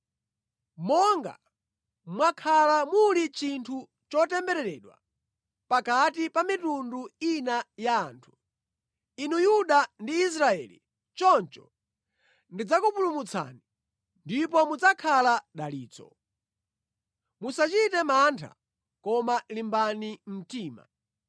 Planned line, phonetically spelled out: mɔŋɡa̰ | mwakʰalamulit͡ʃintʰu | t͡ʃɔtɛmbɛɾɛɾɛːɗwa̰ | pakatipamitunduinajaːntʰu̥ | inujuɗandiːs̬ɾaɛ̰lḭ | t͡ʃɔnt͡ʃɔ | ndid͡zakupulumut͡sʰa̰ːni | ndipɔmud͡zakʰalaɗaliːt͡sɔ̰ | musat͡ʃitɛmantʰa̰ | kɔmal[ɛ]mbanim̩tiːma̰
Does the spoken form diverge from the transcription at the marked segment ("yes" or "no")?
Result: yes